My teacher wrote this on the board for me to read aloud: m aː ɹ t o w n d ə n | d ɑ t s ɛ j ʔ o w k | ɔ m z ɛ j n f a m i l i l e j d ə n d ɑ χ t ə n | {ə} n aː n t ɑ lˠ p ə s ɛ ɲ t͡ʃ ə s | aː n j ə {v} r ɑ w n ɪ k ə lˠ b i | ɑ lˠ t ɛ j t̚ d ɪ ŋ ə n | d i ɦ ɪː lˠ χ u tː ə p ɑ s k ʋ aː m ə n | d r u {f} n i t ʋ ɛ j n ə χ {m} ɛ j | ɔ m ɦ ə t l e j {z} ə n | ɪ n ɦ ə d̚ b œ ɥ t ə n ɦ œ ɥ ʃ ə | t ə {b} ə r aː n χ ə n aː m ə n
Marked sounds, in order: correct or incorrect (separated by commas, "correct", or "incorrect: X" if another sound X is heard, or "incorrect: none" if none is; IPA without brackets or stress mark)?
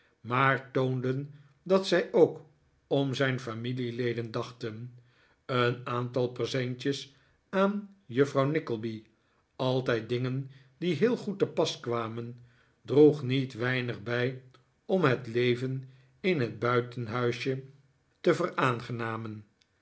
correct, incorrect: f, incorrect: χ, incorrect: b, incorrect: v, incorrect: v